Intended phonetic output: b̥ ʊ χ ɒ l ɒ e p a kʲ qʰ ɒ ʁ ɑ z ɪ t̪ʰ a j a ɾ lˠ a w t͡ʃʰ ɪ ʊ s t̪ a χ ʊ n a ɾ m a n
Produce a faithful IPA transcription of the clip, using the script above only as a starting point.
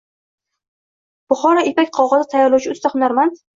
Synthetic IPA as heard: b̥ ʊ χ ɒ ɾ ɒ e p a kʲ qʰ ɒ ʁ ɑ z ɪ t̪ʰ a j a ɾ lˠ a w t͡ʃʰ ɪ ʊ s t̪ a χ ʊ n a ɾ m a n